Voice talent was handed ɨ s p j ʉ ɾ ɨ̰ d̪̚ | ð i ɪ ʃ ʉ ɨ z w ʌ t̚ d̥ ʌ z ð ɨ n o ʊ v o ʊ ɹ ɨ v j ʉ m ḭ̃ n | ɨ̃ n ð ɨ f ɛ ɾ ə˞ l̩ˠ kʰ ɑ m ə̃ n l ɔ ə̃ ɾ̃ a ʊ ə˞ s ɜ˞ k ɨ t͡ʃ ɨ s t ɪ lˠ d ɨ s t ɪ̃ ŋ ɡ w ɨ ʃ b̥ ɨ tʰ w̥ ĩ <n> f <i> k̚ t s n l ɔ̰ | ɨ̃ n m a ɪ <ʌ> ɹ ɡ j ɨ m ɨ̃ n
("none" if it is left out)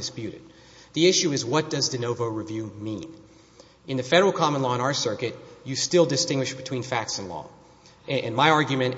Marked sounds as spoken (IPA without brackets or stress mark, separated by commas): n, æ, ɑ